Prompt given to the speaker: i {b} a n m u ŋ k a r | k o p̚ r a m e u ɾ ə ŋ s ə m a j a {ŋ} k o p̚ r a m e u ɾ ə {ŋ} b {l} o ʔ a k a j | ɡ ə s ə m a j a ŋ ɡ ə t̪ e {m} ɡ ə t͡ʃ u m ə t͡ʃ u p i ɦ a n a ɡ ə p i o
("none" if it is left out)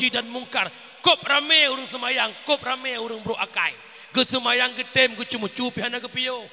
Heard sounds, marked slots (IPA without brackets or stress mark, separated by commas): d, ŋ, ŋ, ɾ, m